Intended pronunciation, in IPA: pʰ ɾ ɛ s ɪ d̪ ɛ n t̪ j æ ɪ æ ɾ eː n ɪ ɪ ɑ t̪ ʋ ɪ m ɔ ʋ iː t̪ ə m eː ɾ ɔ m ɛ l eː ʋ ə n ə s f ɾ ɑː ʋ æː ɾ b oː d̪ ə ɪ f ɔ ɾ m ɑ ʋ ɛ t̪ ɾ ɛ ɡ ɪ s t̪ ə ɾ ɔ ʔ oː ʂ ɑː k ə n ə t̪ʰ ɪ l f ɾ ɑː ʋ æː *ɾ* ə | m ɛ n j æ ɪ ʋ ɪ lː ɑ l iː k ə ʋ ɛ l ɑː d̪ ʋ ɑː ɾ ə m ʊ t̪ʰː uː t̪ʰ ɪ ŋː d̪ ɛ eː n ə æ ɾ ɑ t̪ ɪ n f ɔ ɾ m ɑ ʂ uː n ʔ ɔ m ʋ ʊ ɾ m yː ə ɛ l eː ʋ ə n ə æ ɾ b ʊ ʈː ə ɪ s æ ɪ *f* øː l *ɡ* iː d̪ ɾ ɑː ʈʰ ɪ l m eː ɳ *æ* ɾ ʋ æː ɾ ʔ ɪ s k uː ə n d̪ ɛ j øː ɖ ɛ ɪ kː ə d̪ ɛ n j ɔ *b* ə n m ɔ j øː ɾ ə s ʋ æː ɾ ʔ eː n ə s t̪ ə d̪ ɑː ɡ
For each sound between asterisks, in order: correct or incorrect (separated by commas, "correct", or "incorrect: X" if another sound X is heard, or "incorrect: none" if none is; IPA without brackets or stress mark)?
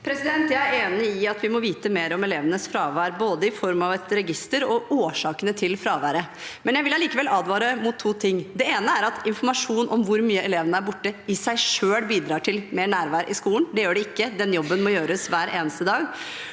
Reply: correct, incorrect: ʂ, incorrect: b, incorrect: æː, incorrect: bː